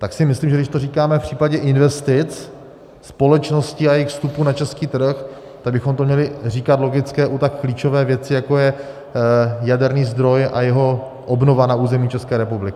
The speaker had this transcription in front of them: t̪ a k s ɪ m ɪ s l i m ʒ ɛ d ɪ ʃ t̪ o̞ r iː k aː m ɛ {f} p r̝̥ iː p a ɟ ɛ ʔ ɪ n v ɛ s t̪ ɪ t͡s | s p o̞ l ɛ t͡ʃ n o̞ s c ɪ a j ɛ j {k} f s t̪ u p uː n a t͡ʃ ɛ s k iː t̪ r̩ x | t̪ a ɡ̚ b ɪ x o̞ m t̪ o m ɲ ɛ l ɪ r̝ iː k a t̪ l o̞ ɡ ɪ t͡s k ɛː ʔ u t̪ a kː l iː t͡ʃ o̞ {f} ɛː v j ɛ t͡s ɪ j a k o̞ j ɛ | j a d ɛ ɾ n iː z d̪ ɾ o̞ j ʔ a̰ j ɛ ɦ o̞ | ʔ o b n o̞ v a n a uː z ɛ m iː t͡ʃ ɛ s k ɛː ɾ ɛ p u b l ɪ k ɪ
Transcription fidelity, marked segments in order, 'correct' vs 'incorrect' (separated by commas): correct, incorrect, incorrect